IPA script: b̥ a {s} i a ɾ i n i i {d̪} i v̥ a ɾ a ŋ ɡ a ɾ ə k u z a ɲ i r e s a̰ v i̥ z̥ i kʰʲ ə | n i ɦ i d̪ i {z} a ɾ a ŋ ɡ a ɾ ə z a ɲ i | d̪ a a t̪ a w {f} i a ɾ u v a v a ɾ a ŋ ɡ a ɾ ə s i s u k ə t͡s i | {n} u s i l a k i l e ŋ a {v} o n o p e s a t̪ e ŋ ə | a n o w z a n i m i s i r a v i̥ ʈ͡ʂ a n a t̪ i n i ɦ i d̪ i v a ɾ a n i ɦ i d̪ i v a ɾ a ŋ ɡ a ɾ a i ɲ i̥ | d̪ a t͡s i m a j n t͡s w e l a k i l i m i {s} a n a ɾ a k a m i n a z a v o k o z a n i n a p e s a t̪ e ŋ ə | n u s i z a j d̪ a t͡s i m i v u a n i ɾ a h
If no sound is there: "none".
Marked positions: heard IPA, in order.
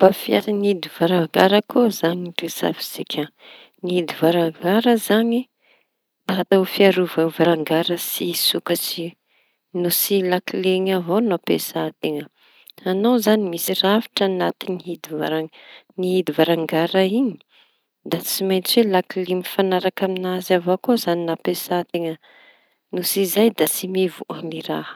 f, d̪, v, f, n, v, f

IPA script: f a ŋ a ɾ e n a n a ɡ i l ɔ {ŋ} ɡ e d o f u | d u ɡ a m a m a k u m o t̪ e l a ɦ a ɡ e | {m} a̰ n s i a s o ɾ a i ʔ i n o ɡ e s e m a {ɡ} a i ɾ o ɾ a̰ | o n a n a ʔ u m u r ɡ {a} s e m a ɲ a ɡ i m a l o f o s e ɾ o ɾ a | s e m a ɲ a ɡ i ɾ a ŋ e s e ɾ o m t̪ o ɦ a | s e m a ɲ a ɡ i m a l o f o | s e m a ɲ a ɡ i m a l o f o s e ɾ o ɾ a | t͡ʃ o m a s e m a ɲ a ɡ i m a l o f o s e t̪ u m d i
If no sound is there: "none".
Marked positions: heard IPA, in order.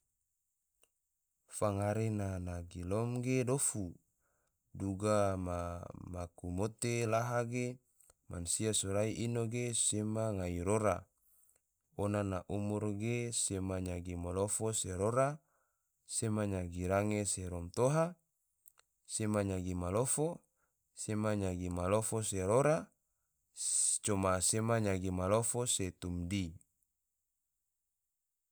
m, m, ŋ, e

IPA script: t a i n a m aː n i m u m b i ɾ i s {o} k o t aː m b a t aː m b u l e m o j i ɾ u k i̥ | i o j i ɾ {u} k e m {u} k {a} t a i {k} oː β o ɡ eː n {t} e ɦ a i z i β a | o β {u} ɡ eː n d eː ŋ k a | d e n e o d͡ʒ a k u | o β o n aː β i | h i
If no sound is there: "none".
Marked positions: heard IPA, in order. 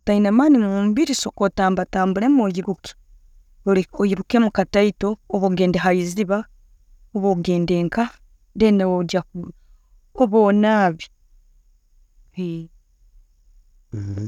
o, u, u, a, t, d, o

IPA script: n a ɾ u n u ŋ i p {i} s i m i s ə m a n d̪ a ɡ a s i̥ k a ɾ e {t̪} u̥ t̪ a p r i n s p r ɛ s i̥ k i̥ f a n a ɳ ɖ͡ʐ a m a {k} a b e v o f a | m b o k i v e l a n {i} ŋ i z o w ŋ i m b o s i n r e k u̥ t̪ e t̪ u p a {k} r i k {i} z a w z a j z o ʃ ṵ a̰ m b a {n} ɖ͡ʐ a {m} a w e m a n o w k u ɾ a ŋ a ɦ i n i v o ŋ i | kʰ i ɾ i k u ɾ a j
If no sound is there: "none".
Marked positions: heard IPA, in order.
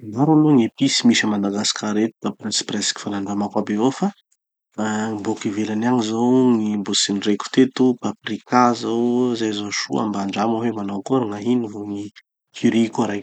i, t̪, k, a, p, a, ɳ, m

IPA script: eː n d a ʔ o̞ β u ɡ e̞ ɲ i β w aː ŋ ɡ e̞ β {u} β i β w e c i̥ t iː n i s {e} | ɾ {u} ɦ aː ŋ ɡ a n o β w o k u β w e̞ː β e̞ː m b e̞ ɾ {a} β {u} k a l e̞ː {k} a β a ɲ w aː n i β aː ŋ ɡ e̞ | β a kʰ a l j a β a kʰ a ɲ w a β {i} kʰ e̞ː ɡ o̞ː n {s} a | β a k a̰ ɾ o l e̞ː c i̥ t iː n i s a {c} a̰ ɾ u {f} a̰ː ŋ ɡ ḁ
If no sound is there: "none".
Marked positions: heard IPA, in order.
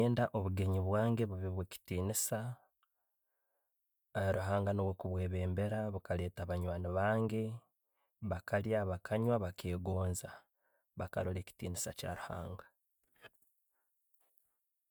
u, a, u, a, u, t, a, z, c, h

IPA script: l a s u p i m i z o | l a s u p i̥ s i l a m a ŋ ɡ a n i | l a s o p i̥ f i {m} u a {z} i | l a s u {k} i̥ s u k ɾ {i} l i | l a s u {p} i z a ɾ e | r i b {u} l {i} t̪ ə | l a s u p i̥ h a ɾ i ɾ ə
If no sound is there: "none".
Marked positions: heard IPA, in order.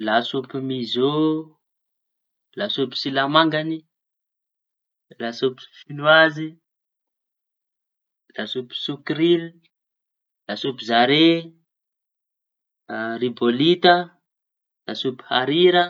n, z, p, i, p, o, i

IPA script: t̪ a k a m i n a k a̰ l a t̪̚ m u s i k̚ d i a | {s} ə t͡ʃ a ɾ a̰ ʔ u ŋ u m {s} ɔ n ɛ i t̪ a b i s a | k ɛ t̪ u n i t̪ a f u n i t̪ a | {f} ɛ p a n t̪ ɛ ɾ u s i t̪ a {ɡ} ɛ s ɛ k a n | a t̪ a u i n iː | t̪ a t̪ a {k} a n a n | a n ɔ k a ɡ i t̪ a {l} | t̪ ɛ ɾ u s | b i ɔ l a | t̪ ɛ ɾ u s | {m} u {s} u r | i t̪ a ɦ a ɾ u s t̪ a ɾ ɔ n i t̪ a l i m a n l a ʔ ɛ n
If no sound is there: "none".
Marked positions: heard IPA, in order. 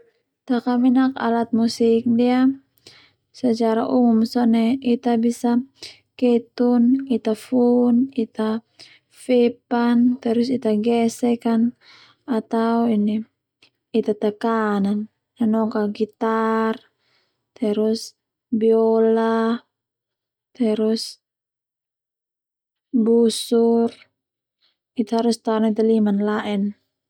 s, s, f, ɡ, k, r, b, s

